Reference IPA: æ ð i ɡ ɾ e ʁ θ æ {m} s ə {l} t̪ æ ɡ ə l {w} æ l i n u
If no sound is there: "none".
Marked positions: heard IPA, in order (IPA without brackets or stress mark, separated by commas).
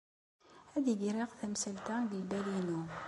m, l, b